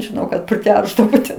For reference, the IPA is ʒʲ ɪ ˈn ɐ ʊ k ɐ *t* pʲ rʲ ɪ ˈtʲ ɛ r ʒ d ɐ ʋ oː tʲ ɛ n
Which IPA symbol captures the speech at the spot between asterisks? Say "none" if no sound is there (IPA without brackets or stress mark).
t